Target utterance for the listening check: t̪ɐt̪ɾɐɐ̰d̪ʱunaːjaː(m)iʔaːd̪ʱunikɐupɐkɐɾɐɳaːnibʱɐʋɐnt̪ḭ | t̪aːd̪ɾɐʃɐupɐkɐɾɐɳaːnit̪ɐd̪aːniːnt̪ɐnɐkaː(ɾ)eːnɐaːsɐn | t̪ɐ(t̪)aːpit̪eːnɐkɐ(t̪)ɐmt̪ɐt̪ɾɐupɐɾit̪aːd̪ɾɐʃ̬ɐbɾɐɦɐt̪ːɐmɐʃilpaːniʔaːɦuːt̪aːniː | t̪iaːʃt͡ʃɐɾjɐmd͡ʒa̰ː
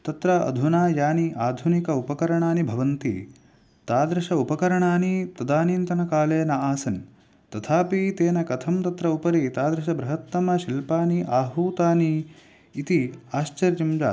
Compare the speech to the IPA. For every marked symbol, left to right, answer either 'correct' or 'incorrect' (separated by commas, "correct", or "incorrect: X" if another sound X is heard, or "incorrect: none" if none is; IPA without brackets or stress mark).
incorrect: n, incorrect: l, incorrect: t̪ʰ, incorrect: t̪ʰ